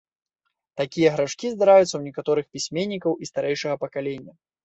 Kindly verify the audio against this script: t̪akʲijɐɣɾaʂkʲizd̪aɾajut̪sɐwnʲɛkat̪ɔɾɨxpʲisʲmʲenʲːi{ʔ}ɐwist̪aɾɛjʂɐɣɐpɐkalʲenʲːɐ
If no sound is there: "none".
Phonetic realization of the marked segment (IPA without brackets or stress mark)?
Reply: k